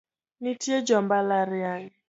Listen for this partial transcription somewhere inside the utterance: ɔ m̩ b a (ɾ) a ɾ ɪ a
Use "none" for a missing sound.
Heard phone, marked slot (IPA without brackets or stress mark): l